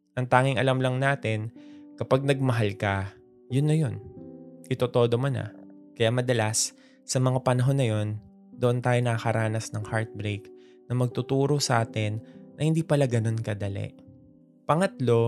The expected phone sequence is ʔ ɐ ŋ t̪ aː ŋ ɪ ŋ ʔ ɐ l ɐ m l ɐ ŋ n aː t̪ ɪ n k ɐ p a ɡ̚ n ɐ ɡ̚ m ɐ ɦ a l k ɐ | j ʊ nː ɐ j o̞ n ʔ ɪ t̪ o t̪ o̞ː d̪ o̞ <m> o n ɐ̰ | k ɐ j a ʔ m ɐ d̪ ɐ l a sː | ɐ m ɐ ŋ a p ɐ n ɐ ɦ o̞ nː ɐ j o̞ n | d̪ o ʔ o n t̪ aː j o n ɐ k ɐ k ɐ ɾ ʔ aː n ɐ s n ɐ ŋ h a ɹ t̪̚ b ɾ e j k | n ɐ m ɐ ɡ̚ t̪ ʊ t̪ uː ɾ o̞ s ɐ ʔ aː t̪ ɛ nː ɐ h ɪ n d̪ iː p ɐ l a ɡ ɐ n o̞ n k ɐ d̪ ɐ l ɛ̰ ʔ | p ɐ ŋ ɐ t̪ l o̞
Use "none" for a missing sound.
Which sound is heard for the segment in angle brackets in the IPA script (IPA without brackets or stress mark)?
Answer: m